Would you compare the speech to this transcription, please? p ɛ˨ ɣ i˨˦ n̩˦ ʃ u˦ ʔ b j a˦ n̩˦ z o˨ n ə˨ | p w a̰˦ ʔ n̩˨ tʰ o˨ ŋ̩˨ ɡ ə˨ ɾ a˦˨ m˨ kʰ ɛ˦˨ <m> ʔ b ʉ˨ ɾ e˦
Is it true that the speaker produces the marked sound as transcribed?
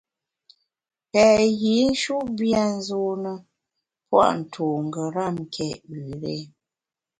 no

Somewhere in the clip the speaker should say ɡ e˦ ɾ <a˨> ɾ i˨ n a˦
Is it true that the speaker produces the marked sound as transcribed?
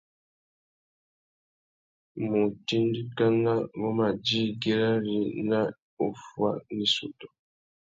no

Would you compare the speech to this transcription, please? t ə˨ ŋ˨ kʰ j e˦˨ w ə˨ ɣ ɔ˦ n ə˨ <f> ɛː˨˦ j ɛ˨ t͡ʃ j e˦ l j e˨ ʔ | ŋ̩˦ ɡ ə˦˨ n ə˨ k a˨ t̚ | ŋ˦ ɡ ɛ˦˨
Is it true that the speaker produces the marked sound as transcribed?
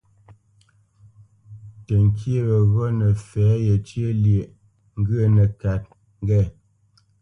yes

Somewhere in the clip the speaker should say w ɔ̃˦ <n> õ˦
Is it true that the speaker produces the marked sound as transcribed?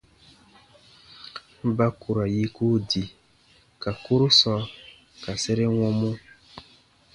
no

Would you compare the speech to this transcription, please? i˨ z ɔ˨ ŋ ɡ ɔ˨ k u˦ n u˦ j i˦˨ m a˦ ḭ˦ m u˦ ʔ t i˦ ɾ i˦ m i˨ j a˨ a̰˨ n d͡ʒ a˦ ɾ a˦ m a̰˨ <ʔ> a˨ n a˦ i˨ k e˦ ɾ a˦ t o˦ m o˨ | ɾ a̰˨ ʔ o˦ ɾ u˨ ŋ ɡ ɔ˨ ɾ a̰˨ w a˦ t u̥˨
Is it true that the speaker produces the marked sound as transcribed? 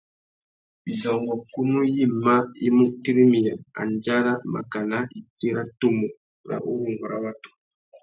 no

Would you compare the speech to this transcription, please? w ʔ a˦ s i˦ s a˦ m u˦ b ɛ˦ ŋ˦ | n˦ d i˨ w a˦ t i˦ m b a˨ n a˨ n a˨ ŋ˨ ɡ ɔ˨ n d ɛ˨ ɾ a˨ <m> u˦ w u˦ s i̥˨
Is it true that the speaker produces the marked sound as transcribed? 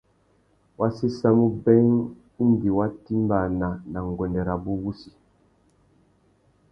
no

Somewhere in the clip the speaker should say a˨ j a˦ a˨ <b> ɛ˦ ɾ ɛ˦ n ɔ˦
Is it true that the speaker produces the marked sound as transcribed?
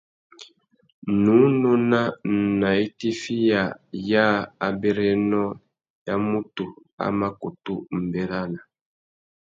yes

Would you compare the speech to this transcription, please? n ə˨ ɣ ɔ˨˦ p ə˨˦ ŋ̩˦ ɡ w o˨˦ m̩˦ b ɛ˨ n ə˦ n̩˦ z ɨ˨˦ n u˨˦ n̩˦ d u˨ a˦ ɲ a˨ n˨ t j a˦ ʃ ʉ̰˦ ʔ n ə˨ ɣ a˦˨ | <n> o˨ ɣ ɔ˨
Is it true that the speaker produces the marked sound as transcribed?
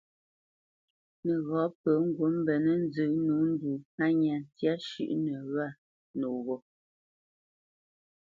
yes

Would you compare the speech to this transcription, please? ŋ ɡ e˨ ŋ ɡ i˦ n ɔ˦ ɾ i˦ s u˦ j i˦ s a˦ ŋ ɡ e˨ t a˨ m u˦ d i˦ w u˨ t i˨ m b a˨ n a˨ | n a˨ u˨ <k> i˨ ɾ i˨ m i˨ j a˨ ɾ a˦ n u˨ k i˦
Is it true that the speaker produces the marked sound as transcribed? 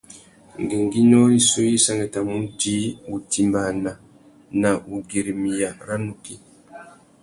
no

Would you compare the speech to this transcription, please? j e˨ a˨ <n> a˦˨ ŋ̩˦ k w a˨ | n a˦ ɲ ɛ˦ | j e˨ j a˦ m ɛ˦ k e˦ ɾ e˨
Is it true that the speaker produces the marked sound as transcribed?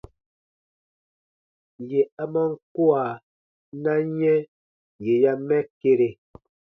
no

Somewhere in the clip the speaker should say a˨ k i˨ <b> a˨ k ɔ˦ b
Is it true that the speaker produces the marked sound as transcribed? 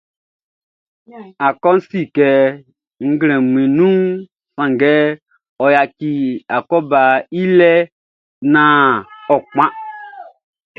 no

